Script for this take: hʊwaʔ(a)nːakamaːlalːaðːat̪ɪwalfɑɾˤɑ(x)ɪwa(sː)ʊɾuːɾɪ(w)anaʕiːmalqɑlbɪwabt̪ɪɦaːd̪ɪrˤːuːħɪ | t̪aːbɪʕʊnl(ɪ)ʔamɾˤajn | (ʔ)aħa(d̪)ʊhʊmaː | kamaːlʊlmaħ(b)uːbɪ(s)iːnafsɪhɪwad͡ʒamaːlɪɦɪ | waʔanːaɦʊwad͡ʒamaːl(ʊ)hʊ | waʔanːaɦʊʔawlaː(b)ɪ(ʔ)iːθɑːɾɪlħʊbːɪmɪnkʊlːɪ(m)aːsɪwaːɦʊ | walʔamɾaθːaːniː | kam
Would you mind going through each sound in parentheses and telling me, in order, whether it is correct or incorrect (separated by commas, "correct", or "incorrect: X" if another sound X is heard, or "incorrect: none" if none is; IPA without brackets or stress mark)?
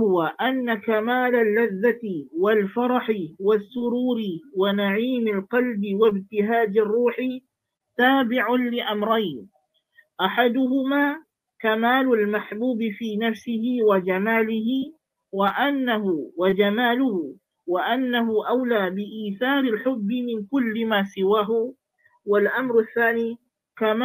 correct, incorrect: ħ, correct, correct, correct, correct, correct, correct, incorrect: f, correct, correct, correct, correct